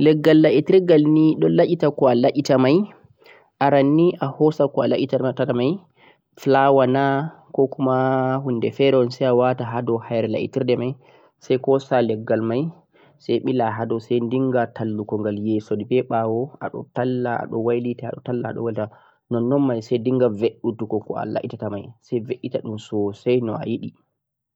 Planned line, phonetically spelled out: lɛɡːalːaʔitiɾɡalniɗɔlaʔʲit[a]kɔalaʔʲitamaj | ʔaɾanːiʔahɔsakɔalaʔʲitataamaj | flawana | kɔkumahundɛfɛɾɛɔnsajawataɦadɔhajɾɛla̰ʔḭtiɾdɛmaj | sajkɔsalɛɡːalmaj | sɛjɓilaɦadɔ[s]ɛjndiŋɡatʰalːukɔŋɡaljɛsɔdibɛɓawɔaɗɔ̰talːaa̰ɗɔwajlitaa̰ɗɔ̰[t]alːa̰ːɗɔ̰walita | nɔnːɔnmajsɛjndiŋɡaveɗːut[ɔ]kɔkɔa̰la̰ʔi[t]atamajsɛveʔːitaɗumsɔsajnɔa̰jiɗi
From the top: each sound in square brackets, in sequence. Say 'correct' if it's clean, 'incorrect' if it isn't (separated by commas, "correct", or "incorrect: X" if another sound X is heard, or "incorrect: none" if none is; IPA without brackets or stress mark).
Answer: correct, correct, correct, incorrect: u, correct